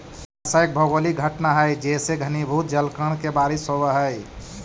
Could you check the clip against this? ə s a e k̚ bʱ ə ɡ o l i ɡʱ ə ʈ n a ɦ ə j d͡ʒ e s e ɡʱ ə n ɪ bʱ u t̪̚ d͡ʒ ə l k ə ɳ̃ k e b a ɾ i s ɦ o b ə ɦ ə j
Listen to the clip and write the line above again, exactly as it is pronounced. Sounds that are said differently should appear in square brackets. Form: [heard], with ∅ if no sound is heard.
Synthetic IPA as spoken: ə s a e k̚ bʱ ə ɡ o l i ɡʱ ə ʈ n a ɦ ə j d͡ʒ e s e ɡʱ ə n [i] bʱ u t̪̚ d͡ʒ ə l k ə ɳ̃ k e b a ɾ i s ɦ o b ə ɦ ə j